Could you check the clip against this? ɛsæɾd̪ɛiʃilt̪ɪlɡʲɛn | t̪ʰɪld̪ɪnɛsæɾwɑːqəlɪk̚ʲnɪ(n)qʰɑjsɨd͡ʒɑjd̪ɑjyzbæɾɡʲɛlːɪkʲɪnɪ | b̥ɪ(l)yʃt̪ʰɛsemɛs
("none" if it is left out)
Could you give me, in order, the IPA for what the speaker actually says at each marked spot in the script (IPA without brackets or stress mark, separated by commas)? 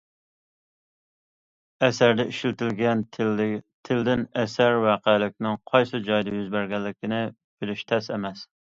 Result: ŋ, l